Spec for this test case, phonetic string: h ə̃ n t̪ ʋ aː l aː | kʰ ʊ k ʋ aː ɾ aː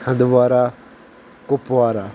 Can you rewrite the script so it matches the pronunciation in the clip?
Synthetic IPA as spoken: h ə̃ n d̪ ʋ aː ɾ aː | k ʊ p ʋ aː ɾ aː